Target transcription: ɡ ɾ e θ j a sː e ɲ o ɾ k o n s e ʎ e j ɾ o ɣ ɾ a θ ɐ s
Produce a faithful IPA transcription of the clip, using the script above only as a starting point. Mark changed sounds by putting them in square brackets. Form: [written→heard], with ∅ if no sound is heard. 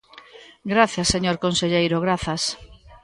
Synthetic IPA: ɡ ɾ [e→a] θ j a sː e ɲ o ɾ k o n s e ʎ e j ɾ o ɣ ɾ a θ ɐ s